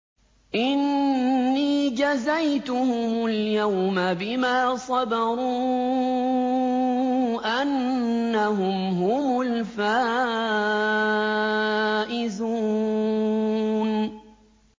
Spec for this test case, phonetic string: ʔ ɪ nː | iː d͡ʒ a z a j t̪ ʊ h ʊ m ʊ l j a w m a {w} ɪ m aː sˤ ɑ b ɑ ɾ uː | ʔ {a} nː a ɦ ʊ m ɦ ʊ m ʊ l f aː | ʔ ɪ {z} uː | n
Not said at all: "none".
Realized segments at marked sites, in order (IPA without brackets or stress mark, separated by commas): b, a, z